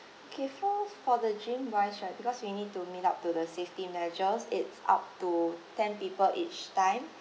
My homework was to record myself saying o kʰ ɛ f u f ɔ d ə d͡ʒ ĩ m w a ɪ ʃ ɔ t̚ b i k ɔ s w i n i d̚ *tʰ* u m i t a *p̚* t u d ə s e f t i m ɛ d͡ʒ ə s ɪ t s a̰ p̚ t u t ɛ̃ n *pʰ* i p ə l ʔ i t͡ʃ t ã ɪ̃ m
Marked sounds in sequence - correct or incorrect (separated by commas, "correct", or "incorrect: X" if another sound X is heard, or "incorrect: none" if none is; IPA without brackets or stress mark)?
incorrect: t, correct, incorrect: p